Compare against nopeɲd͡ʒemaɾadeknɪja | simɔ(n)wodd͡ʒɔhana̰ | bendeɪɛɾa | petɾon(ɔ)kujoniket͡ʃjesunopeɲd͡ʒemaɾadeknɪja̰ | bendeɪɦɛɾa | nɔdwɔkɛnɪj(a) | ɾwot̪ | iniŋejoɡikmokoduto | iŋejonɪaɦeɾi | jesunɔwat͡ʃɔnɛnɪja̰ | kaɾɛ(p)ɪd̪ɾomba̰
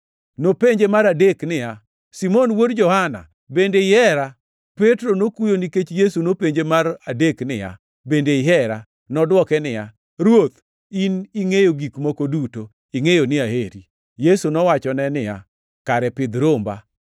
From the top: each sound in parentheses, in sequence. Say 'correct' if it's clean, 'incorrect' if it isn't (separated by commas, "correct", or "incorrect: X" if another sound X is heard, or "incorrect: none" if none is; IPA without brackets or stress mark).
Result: correct, incorrect: o, correct, correct